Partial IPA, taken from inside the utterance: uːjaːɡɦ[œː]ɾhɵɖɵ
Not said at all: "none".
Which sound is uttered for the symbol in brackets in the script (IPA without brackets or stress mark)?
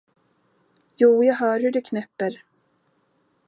œː